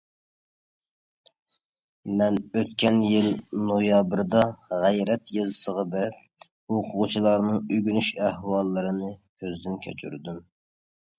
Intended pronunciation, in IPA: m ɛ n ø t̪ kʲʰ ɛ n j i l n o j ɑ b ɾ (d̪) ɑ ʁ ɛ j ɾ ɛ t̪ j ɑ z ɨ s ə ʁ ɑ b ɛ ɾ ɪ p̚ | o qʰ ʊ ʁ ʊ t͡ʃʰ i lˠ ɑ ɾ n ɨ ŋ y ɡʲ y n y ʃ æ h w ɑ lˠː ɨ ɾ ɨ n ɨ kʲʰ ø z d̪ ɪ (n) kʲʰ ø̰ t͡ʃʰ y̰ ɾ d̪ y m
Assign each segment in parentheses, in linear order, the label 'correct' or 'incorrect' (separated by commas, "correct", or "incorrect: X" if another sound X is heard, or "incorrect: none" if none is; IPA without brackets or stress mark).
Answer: correct, correct